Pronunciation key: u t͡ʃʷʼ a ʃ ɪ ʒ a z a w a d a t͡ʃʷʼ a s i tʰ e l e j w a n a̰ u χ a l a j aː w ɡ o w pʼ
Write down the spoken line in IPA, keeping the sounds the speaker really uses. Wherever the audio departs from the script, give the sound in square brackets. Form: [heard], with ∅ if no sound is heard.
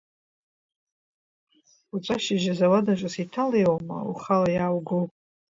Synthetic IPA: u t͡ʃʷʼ a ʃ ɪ ʒ a z a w a d a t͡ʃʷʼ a s i tʰ [a] l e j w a [m] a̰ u χ a l a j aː w ɡ o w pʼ